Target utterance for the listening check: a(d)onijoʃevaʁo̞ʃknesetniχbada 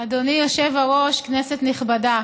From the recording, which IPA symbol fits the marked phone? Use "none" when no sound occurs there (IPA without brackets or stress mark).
d